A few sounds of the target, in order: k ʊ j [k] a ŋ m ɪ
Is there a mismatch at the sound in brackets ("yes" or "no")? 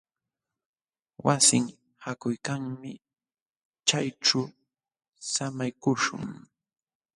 no